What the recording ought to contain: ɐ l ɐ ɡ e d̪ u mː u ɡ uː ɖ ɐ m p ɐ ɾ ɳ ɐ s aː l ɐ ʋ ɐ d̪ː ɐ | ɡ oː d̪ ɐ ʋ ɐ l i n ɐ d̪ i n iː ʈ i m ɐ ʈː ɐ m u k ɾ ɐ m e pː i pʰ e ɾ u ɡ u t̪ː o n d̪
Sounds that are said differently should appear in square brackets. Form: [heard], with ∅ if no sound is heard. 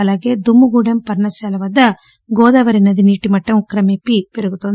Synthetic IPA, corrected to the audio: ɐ l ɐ ɡ e d̪ u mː u ɡ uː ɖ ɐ m p ɐ ɾ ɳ ɐ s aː l ɐ ʋ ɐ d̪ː ɐ | ɡ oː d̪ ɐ ʋ ɐ [ɾ] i n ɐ d̪ i n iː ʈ i m ɐ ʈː ɐ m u k ɾ ɐ m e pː i [p] e ɾ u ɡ u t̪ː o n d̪